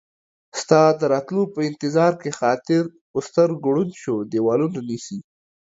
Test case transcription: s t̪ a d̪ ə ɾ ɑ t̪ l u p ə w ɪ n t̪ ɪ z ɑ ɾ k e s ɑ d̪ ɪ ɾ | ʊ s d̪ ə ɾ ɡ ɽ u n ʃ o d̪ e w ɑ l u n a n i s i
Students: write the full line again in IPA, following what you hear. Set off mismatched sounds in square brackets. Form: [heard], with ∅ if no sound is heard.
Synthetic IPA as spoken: s t̪ [ɑ] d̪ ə ɾ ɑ t̪ l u p ə [∅] ɪ n t̪ ɪ z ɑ ɾ k e [x] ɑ [t̪] ɪ ɾ | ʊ s [t̪] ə ɾ ɡ ɽ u n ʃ o d̪ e w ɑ l u n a n i s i

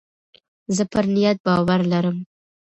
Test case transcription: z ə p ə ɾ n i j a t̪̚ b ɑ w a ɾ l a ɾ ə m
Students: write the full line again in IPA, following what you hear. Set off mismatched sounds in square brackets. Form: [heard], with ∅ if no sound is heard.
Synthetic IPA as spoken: z ə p ə ɾ n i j a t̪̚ b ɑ w a ɾ l a ɾ ə m

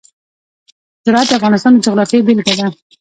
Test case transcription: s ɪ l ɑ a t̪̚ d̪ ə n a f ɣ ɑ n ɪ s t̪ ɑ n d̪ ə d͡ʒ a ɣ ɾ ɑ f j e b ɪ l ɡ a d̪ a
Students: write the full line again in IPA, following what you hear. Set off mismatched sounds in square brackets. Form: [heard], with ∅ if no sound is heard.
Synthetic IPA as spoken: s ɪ [ɾ] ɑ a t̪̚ d̪ ə [∅] a f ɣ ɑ n ɪ s t̪ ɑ n d̪ ə d͡ʒ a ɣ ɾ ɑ f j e b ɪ l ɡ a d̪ a

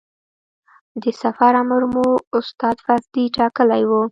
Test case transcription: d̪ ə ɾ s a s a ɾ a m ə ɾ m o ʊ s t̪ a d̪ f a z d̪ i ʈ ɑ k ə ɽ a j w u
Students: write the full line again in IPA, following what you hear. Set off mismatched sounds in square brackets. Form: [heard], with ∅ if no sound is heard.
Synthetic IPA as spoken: d̪ ə [∅] s a [f] a ɾ a m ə ɾ m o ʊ s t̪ [ɑ] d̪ f a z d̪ i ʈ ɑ k ə [l] a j w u

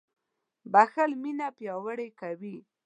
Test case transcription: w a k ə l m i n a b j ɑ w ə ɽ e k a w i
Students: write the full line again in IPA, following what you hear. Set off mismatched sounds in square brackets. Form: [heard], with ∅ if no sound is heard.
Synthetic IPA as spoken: [b] a [x] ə l m i n a [p] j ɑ w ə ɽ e k a w i

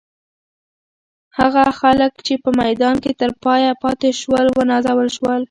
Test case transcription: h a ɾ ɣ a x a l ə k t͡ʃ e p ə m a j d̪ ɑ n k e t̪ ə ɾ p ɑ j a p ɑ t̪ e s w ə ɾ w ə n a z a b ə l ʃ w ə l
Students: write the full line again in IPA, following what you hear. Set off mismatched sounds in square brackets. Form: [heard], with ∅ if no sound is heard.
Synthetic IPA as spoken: h a [∅] ɣ a x a l ə k t͡ʃ e p ə m a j d̪ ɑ n k e t̪ ə ɾ p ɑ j a p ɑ t̪ e [ʃ] w ə [l] w ə n [ɑ] z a [w] ə l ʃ w ə l

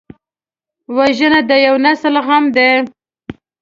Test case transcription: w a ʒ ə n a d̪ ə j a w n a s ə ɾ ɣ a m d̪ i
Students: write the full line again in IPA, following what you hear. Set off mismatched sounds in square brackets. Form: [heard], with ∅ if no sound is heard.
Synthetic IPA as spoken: w a ʒ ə n a d̪ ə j a w n a s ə [l] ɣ a m d̪ [e]

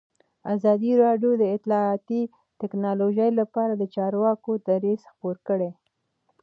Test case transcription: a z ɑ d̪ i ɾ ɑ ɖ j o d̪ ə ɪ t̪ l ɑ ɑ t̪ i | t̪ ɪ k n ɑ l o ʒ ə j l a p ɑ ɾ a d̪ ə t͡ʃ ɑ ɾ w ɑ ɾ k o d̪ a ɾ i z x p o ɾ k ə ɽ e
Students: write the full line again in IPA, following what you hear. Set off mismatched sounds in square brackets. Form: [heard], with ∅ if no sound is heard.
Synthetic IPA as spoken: a z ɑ d̪ i ɾ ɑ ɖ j o d̪ ə ɪ t̪ l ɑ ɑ t̪ i | t̪ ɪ k n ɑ l o ʒ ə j l a p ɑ ɾ a d̪ ə t͡ʃ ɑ ɾ w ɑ [∅] k o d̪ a ɾ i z x p o ɾ k ə ɽ e

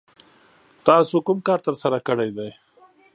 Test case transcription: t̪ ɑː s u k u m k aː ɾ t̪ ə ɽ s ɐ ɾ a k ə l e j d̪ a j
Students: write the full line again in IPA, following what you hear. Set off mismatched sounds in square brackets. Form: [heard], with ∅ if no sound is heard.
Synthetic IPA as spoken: t̪ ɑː s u k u m k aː ɾ t̪ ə [ɾ] s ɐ ɾ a k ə [ɽ] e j d̪ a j

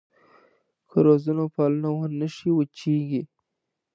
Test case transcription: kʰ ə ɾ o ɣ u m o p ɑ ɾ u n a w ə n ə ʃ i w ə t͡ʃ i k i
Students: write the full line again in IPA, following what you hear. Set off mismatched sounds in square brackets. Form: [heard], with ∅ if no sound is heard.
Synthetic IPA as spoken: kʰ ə ɾ o [z] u [n] o p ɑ [l] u n a w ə n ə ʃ i w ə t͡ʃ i [ɡ] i

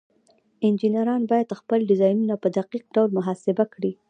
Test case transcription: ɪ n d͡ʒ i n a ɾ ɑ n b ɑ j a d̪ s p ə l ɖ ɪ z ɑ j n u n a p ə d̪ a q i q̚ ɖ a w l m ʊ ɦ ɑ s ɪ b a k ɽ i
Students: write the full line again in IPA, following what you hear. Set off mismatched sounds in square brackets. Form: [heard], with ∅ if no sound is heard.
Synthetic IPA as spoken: ɪ n d͡ʒ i n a ɾ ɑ n b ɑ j a d̪ [x] p ə l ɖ ɪ z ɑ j n u n a p ə d̪ a q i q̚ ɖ a w l m ʊ ɦ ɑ s ɪ b a k ɽ i

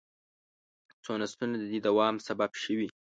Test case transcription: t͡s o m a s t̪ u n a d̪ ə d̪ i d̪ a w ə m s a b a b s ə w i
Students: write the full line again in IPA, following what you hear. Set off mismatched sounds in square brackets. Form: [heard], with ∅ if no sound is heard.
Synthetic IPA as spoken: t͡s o [n] a s t̪ u n a d̪ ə d̪ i d̪ a w [ɑ] m s a b a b [ʃ] ə w i

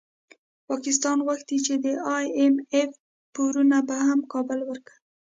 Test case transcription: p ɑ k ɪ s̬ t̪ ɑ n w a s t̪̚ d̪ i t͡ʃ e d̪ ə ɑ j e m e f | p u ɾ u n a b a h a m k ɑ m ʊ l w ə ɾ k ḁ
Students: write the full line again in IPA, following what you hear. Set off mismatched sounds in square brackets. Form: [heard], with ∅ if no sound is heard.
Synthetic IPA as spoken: p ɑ k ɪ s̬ t̪ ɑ n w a [x] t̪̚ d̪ i t͡ʃ e d̪ ə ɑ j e m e f | p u ɾ u n a b a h a m k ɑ [b] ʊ l w ə ɾ k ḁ

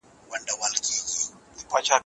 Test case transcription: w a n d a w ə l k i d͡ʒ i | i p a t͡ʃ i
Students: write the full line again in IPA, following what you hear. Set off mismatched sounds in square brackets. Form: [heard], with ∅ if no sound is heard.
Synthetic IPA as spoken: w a n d a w [a] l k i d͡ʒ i | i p a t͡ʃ [a]

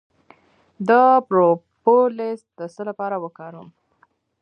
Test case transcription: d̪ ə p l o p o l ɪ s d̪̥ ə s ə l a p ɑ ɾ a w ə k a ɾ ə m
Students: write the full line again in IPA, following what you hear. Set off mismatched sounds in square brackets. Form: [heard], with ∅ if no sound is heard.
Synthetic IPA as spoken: d̪ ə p [ɾ] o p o l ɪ s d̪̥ ə s ə l a p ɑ ɾ a w ə k [ɑ] ɾ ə m

